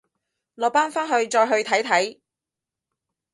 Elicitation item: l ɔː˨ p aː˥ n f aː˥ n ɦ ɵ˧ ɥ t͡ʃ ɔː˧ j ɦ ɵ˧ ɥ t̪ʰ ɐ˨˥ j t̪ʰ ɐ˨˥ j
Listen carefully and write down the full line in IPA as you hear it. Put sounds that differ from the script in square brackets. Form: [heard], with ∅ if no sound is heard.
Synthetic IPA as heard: l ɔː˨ p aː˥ n f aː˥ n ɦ ɵ˧ ɥ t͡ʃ ɔː˧ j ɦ ɵ˧ ɥ t̪ʰ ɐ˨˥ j t̪ʰ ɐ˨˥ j